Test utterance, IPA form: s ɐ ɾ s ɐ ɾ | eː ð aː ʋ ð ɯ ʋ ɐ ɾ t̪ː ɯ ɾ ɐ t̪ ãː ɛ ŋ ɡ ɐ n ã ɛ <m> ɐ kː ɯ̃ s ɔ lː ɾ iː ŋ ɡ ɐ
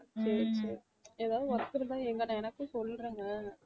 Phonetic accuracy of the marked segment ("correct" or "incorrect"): incorrect